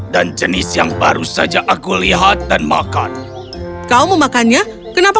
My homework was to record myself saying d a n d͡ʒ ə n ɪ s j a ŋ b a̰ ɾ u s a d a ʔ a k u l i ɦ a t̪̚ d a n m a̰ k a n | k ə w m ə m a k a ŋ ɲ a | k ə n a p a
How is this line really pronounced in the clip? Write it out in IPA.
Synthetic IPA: d a n d͡ʒ ə n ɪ s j a ŋ b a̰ ɾ u s a d͡ʒ a ʔ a k u l i ɦ a t̪̚ d a n m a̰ k a n | k a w m ə m a k a n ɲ a | k ə n a p a